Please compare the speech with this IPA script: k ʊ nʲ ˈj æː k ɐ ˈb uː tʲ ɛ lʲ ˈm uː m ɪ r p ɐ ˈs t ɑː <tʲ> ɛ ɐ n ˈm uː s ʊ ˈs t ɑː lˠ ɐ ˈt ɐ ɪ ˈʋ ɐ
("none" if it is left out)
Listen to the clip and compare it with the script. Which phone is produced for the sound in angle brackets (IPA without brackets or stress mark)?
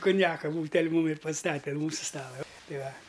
tʲ